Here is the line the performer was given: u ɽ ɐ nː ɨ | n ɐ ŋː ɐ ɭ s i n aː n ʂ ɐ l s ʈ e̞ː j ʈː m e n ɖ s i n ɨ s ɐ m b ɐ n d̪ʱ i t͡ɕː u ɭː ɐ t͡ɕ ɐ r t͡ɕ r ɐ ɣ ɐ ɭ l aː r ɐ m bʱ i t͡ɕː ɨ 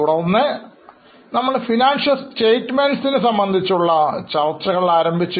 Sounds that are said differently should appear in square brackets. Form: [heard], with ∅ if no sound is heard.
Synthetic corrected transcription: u ɽ ɐ nː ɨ | n ɐ [mː] ɐ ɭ [f] i n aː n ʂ ɐ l s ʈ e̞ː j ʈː m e n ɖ s i n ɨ s ɐ m b ɐ n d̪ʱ i t͡ɕː u ɭː ɐ t͡ɕ ɐ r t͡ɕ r ɐ ɣ ɐ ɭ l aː [ɾ] ɐ m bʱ i t͡ɕː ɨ